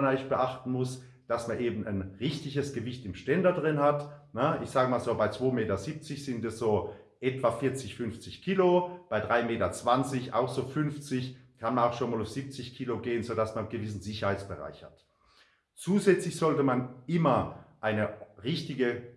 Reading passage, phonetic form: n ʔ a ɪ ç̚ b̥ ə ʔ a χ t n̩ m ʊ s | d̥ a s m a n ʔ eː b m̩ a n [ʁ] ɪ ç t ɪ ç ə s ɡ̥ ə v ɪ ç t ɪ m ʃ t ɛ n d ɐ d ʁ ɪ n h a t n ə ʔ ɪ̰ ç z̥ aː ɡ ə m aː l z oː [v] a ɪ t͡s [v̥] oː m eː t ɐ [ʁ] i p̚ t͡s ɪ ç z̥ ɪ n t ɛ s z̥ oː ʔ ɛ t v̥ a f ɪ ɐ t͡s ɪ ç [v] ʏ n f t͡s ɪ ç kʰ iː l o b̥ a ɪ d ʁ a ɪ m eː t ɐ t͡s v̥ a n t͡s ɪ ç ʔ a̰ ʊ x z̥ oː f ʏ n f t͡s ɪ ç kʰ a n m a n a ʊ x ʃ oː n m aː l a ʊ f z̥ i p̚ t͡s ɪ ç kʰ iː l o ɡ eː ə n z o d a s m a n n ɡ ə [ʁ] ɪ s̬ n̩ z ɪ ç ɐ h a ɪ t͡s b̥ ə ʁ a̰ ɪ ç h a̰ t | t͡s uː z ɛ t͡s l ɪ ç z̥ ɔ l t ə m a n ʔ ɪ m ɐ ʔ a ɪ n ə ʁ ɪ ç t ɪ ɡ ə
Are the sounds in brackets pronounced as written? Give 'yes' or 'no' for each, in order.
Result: yes, no, yes, no, no, no

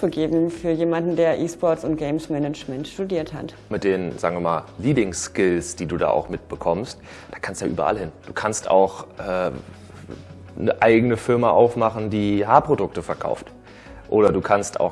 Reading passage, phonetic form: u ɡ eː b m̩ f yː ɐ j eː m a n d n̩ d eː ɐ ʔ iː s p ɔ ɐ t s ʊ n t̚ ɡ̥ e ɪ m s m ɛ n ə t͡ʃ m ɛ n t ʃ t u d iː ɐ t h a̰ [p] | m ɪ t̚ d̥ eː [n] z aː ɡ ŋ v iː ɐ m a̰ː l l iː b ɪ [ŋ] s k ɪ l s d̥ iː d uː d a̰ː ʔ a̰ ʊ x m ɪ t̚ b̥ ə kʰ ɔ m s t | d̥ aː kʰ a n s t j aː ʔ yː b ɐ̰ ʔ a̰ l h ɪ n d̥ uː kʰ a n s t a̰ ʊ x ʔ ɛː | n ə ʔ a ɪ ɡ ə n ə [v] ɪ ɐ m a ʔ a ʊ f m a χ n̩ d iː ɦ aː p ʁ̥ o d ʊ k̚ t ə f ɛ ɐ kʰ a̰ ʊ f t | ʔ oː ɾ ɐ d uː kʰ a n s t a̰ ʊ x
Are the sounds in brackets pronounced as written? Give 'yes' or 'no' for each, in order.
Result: no, yes, yes, no

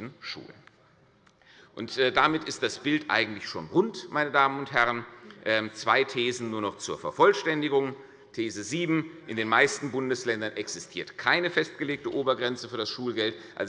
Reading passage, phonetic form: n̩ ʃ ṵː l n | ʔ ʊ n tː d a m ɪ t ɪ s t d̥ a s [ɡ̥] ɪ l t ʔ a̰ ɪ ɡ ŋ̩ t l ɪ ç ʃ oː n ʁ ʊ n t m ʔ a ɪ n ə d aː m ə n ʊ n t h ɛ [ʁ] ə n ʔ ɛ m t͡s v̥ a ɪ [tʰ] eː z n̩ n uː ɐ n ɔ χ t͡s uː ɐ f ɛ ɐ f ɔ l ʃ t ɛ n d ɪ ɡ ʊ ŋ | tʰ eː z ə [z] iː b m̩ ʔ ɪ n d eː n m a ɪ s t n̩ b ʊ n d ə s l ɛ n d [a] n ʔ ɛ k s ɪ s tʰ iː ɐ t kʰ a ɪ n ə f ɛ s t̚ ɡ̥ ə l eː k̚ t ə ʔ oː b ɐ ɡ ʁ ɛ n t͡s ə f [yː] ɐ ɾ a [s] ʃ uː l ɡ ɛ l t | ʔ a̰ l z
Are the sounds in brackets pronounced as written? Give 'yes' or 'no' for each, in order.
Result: no, yes, yes, yes, no, yes, yes

